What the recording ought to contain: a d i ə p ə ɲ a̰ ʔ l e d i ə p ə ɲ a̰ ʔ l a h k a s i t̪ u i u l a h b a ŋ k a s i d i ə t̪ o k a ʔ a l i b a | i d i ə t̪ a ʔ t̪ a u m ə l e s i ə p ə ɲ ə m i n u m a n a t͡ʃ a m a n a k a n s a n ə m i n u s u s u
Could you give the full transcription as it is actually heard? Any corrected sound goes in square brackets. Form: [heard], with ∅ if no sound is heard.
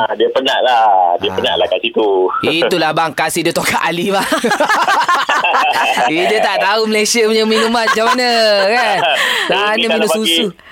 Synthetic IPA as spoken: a d i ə p ə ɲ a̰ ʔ l [a] d i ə p ə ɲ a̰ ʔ l a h k a s i t̪ u i u l a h b a ŋ k a s i d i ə t̪ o k a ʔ a l i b a | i d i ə t̪ a ʔ t̪ a u m ə l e s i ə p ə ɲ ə m i n u m a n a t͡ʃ a m a n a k a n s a n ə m i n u s u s u